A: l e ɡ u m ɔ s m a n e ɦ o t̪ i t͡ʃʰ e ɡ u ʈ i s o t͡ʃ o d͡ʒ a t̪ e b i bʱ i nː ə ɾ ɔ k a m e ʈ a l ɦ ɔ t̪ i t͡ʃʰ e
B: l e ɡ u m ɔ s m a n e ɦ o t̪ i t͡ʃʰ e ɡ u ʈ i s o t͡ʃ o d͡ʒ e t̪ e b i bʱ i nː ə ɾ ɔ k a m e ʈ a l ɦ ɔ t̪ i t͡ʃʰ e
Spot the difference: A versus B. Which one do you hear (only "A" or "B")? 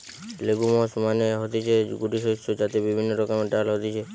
A